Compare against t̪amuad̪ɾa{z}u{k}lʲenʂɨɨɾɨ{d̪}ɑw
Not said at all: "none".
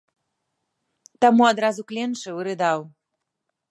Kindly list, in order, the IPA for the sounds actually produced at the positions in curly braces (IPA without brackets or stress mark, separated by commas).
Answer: z, k, d̪